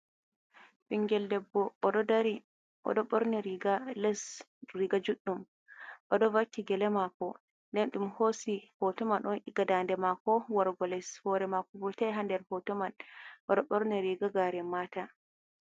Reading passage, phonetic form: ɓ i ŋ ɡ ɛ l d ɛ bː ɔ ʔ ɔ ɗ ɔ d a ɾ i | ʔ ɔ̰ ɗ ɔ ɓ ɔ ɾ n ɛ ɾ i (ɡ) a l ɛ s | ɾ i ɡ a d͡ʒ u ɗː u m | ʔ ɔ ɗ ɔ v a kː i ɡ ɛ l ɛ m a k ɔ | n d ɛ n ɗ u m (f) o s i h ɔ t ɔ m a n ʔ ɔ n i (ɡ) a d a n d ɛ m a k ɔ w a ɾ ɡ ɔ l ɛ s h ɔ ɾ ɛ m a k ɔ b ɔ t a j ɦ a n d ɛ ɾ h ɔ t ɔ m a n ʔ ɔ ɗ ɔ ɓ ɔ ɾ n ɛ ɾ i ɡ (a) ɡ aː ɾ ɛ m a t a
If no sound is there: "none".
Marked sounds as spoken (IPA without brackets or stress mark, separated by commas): ɡ, h, ɡ, a